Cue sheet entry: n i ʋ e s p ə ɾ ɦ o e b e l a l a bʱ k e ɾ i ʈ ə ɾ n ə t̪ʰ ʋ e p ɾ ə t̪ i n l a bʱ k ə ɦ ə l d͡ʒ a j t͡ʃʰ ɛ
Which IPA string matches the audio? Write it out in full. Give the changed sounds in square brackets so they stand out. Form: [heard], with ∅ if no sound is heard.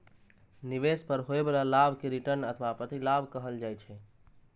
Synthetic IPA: n i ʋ e s p ə ɾ ɦ o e b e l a l a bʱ k e ɾ i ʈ ə ɾ n ə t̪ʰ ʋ [a] p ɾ ə t̪ i [∅] l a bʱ k ə ɦ ə l d͡ʒ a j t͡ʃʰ ɛ